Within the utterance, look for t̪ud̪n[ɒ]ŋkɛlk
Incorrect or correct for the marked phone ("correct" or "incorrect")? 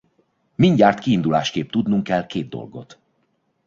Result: incorrect